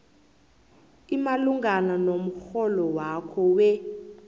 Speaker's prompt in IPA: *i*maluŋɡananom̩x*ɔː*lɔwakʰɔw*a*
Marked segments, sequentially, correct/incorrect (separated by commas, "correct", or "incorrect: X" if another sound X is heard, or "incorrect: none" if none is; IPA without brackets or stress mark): correct, incorrect: ɔ, incorrect: ɛ